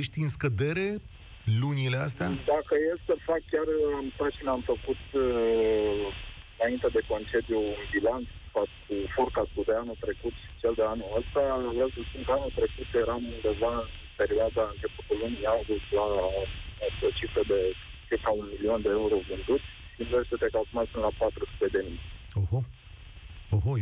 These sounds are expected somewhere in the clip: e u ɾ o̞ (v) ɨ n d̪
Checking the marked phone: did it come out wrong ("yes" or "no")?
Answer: no